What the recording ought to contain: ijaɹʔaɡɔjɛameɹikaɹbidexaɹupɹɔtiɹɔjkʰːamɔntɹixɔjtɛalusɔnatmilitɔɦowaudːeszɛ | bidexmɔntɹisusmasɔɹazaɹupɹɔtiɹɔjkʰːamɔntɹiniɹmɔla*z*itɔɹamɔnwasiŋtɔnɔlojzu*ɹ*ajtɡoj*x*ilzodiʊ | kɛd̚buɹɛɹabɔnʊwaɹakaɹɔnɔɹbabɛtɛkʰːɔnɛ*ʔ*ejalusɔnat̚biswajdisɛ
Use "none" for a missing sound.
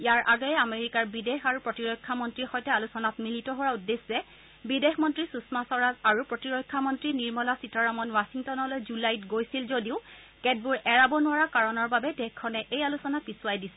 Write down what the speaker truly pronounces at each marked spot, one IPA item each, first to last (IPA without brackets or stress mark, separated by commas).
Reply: s, l, s, ʔ